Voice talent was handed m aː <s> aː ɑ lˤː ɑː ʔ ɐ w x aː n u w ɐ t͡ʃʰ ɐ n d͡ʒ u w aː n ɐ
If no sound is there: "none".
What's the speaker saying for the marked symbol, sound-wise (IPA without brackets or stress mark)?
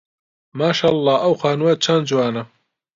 ʃ